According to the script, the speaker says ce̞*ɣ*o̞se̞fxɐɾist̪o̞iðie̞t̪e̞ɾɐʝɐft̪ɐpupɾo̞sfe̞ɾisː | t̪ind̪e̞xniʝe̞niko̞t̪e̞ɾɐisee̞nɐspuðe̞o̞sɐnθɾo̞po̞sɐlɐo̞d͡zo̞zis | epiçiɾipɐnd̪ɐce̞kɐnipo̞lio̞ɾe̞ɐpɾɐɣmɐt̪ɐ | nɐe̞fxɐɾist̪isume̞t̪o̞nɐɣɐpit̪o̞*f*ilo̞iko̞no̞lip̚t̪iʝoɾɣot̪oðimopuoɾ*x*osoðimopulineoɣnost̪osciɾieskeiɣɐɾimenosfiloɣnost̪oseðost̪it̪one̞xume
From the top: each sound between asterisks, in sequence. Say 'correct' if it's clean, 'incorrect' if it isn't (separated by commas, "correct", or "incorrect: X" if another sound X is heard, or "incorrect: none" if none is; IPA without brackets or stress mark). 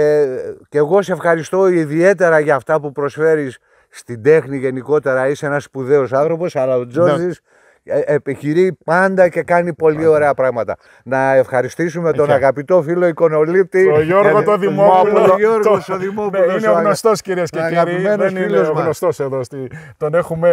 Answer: correct, correct, incorrect: ɣ